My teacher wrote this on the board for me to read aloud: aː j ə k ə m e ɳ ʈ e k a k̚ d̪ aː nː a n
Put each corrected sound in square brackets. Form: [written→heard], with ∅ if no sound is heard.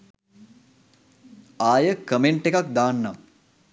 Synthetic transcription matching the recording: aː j ə k ə m e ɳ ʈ e k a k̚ d̪ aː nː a [n→m]